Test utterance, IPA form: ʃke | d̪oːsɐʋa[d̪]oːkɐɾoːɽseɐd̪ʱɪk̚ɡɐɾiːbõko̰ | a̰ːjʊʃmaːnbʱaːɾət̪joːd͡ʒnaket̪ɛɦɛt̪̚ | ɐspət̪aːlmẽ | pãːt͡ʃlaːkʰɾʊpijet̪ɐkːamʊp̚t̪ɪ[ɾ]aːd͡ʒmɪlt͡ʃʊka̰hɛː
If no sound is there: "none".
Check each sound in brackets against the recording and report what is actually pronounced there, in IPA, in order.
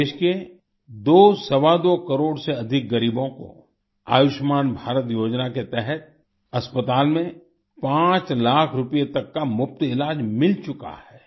d̪, l

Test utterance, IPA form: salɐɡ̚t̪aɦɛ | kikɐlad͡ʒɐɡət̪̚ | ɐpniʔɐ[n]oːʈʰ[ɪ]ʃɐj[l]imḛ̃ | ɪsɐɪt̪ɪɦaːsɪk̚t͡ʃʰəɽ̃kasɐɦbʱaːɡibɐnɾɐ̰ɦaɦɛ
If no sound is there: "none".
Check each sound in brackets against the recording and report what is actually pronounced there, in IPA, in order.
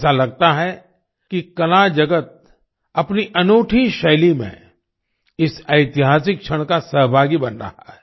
n, i, l

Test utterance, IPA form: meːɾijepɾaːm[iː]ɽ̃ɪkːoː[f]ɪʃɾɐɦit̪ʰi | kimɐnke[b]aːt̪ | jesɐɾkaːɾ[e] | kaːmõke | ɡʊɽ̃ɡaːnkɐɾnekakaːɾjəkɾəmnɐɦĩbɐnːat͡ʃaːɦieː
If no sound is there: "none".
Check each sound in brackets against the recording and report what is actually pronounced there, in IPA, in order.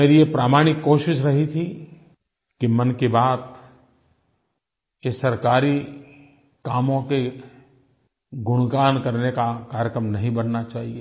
aː, ʃ, b, i

